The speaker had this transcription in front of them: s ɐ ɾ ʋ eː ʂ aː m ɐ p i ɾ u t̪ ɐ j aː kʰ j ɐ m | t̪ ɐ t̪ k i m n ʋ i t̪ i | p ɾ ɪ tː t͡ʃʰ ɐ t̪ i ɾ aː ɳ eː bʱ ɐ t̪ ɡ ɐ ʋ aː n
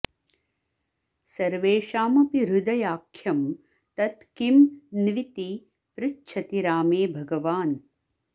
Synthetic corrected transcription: s ɐ ɾ ʋ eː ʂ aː m ɐ p i ɾ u d̪ ɐ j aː kʰ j ɐ m | t̪ ɐ t̪ k i m n ʋ i t̪ i | p ɾ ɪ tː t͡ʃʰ ɐ t̪ i ɾ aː m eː bʱ ɐ ɡ ɐ ʋ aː n